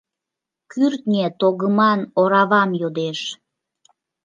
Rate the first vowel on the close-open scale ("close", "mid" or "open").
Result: close